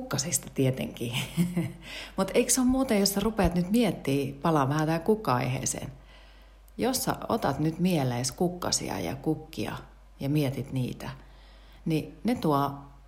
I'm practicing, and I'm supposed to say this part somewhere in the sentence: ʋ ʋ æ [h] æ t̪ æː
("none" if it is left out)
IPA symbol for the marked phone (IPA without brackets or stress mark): h